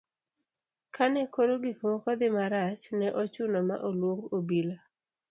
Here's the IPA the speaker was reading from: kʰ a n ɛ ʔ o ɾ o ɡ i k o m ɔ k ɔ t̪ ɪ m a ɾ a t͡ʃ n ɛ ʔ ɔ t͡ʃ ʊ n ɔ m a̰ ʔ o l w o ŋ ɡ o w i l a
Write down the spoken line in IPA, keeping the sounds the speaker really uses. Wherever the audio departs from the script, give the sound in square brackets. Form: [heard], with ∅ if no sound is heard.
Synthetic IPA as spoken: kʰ a n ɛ [k] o ɾ o ɡ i k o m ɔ k ɔ [d̪] ɪ m a ɾ a t͡ʃ n ɛ ʔ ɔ t͡ʃ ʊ n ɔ m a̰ ʔ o l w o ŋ ɡ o [b] i l a